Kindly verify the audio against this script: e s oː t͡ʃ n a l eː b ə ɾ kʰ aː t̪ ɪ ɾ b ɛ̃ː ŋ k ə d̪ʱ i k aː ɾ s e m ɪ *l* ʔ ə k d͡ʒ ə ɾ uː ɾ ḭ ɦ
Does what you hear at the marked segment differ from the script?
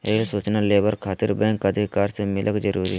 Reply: no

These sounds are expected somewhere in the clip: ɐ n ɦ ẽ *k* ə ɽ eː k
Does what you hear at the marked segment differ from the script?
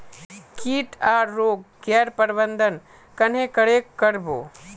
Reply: no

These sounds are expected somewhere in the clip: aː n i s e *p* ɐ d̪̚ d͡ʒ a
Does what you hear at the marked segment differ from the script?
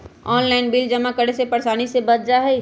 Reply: yes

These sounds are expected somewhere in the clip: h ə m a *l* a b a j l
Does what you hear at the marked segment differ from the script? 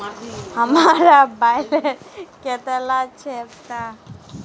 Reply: yes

